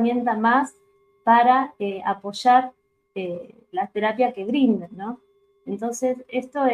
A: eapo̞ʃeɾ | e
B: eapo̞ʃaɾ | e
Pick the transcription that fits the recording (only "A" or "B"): B